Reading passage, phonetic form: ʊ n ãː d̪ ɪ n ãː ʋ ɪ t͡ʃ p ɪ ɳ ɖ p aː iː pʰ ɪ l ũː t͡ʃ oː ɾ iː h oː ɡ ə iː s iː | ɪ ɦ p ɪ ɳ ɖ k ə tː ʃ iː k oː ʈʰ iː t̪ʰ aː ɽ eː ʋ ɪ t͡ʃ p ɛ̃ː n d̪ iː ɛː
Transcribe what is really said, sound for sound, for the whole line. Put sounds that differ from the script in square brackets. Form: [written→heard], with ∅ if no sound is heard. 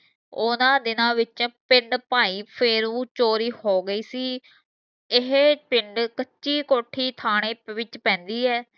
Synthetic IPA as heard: ʊ n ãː d̪ ɪ n ãː ʋ ɪ t͡ʃ p ɪ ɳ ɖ p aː iː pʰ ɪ [l→ɾ] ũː t͡ʃ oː ɾ iː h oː ɡ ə iː s iː | ɪ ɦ p ɪ ɳ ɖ k ə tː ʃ iː k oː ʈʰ iː t̪ʰ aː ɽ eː ʋ ɪ t͡ʃ p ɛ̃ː n d̪ iː ɛː